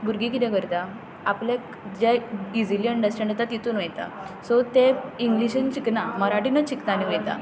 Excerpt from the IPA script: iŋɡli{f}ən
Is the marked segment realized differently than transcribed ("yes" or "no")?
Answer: yes